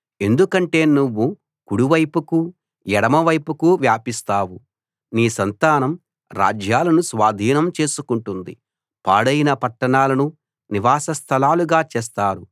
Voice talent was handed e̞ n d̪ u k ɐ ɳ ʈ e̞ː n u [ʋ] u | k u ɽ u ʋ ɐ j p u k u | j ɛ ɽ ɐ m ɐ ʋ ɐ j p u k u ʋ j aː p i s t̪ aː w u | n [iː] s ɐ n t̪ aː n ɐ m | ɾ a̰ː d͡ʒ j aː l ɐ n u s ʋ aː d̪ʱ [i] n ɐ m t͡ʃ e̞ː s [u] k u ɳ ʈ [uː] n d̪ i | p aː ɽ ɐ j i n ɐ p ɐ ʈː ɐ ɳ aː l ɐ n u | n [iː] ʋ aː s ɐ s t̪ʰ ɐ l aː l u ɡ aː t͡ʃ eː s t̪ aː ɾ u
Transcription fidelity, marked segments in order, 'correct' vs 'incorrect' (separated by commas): incorrect, correct, incorrect, correct, incorrect, incorrect